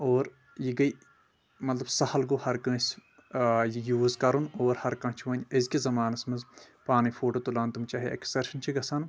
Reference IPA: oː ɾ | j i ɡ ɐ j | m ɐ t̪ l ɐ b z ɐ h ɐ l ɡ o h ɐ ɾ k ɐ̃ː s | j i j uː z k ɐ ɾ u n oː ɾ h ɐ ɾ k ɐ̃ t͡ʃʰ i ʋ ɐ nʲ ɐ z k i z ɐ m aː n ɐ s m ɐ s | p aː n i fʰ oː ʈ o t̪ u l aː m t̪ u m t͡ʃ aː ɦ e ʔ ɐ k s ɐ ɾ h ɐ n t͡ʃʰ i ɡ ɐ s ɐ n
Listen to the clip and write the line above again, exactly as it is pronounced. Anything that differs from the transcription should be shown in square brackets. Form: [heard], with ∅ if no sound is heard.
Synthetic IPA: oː ɾ | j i ɡ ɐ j | m ɐ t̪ l ɐ b [s] ɐ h ɐ l ɡ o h ɐ ɾ k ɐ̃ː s | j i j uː z k ɐ ɾ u n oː ɾ h ɐ ɾ k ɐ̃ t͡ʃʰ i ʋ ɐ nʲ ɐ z k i z ɐ m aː n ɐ s m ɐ [z] | p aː n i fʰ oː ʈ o t̪ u l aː [n] t̪ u m t͡ʃ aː ɦ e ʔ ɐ k s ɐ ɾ [ʃ] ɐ n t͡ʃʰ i ɡ ɐ s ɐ n